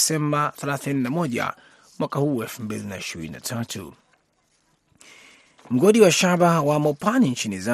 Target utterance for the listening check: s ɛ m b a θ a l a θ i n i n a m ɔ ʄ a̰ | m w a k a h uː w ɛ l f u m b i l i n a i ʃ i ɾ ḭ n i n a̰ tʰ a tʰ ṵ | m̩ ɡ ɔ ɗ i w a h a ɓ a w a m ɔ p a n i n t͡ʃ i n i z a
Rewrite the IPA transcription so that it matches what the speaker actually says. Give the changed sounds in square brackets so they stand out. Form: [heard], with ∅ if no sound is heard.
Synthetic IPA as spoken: s ɛ m b a θ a l a θ i n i n a m ɔ ʄ a̰ | m w a k a h uː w ɛ l f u m b i l i n a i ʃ i ɾ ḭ n i n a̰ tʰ a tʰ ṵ | m̩ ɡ ɔ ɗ i w a [ʃ] a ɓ a w a m ɔ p a n i n t͡ʃ i n i z a